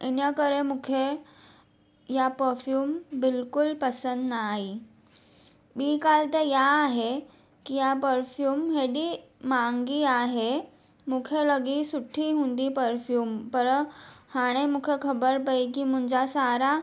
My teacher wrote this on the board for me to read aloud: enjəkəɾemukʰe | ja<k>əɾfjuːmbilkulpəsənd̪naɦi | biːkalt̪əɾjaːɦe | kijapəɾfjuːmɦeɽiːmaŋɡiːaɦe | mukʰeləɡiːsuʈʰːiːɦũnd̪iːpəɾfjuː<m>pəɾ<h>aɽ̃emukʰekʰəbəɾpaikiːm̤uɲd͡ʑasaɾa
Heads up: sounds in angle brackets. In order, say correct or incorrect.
incorrect, correct, correct

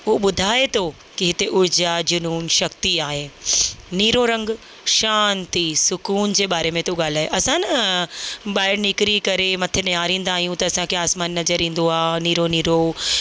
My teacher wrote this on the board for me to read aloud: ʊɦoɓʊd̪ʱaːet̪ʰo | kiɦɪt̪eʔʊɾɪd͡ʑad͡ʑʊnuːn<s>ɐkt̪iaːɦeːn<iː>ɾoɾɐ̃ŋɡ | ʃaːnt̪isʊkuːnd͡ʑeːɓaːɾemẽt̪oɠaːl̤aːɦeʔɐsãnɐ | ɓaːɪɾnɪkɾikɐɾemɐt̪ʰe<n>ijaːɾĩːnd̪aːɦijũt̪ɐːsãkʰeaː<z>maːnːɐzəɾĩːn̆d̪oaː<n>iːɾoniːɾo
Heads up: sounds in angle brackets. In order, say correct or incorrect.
incorrect, correct, correct, incorrect, correct

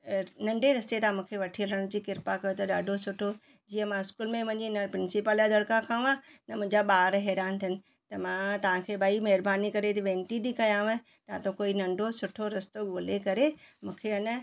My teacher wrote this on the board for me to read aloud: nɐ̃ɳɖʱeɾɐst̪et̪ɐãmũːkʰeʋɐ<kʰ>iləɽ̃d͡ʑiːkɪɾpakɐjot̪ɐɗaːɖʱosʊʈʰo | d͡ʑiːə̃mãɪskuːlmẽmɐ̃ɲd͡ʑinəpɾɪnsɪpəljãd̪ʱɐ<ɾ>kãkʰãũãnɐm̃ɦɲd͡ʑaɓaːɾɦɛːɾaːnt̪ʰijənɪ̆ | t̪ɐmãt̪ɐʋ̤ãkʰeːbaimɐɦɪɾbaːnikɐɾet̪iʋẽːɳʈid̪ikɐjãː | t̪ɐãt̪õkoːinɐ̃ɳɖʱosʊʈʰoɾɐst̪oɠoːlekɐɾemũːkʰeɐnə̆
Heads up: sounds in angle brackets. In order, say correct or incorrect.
incorrect, incorrect

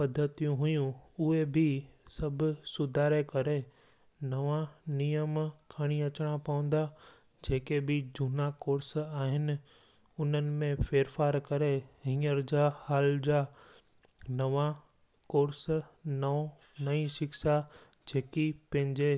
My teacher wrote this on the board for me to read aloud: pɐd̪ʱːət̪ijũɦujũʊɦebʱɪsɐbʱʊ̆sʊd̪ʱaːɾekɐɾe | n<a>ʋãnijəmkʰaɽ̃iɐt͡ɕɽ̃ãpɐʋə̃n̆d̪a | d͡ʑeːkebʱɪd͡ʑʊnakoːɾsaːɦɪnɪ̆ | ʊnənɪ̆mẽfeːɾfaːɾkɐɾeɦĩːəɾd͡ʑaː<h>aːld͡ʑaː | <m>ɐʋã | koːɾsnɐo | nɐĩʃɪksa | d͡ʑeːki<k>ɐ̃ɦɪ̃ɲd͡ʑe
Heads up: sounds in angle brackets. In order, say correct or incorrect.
incorrect, correct, incorrect, incorrect

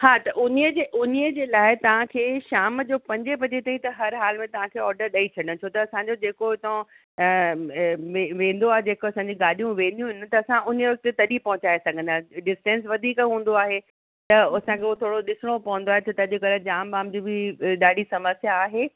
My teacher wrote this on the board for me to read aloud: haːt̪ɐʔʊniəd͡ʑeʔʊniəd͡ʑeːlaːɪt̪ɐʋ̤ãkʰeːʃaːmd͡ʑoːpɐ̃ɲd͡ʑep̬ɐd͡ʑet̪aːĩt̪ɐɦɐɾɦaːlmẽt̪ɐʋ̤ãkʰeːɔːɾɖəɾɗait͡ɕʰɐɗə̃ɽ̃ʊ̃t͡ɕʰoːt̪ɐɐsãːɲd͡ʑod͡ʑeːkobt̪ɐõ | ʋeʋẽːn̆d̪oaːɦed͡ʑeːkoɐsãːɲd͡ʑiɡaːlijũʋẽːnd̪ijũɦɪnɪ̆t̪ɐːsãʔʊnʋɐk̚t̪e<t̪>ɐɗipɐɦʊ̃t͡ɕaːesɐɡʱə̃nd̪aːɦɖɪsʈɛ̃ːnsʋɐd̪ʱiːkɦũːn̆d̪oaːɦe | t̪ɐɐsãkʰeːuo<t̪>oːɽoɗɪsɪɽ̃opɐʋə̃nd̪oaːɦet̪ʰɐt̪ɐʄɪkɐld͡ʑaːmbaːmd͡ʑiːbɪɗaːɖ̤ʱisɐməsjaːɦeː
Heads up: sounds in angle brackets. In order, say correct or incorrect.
correct, incorrect

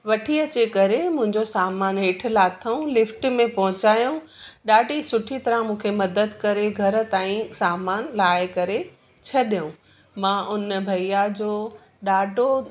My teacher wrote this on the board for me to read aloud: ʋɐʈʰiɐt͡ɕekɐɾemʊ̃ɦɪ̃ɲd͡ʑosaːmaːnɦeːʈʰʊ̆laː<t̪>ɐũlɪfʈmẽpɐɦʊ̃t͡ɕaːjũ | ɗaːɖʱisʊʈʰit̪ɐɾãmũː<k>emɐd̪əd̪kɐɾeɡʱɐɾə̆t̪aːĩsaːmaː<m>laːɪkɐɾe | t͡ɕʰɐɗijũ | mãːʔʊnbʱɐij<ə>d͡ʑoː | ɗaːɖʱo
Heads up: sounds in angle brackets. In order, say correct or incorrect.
incorrect, incorrect, incorrect, incorrect

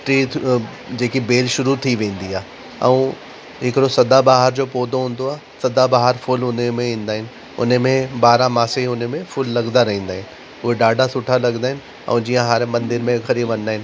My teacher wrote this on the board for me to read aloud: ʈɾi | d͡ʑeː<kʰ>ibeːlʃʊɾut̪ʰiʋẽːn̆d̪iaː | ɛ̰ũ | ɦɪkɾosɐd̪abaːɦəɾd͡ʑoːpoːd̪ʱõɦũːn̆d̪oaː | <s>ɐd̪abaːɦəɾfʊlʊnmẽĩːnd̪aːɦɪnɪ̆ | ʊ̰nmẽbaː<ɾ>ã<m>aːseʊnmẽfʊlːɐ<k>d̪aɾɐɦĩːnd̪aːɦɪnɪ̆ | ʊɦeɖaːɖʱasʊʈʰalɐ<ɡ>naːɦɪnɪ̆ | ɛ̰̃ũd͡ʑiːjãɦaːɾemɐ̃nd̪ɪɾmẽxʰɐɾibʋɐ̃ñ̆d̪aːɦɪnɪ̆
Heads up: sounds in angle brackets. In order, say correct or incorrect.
incorrect, correct, correct, correct, incorrect, correct

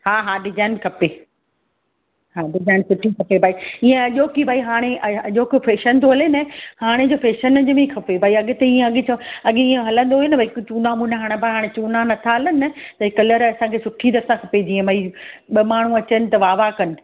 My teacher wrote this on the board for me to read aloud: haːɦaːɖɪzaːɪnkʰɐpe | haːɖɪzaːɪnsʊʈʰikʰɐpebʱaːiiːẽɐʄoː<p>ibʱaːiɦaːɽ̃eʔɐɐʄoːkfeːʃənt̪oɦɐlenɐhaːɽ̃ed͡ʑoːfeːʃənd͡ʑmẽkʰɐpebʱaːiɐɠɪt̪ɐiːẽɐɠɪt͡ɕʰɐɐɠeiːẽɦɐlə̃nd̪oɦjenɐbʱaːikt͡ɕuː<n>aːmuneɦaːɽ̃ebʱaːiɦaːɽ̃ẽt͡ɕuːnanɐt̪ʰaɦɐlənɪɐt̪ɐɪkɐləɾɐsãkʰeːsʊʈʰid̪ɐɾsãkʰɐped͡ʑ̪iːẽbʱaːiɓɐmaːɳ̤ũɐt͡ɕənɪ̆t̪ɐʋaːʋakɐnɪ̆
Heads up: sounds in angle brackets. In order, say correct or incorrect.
incorrect, correct

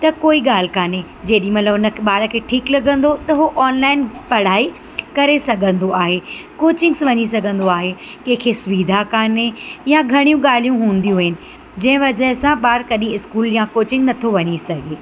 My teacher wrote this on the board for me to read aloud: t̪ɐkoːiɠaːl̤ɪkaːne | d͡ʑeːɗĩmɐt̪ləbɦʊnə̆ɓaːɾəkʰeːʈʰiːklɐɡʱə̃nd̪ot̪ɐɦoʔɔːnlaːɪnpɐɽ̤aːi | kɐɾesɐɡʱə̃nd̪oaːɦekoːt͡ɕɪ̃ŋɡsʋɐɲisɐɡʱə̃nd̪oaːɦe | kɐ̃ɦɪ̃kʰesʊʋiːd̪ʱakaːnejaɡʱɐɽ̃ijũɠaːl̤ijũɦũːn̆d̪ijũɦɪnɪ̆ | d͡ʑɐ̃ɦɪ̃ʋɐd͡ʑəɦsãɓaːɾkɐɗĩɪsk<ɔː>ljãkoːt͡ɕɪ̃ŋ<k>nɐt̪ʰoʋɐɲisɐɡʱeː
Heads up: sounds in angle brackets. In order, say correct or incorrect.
incorrect, incorrect

